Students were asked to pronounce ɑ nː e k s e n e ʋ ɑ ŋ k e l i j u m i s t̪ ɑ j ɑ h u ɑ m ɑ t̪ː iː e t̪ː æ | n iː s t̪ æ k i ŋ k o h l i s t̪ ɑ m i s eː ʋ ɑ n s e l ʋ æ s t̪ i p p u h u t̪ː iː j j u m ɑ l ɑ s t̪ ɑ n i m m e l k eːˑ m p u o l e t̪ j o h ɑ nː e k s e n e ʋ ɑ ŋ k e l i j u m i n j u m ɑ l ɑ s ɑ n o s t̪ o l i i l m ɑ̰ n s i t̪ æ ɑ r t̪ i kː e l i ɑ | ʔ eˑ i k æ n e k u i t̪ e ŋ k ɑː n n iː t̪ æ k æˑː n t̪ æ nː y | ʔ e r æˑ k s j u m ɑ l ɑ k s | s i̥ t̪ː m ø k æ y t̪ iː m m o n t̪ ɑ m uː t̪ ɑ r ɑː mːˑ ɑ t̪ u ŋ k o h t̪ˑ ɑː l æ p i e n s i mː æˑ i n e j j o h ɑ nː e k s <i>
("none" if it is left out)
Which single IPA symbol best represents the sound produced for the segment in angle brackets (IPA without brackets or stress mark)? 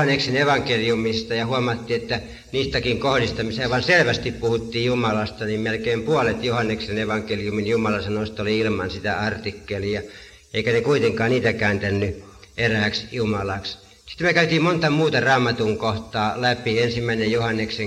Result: e